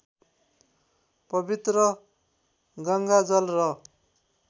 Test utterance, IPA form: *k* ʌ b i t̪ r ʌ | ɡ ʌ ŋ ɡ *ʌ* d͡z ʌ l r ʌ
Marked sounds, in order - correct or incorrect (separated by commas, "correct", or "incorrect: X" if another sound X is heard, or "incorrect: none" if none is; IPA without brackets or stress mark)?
incorrect: p, incorrect: a